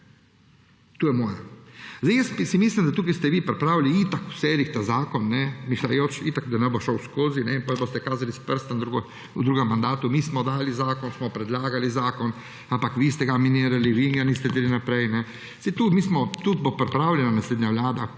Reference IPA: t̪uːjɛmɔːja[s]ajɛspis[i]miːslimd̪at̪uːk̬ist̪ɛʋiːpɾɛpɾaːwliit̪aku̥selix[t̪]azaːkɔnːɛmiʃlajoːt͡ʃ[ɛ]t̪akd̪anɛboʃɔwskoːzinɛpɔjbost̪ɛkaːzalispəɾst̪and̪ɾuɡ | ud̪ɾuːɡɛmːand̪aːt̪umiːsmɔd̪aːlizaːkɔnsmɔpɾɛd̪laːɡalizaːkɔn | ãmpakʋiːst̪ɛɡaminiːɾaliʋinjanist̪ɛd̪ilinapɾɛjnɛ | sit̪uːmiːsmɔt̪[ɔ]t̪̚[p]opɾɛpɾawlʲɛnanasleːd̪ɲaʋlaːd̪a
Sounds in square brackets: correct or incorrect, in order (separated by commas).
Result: incorrect, correct, correct, incorrect, incorrect, incorrect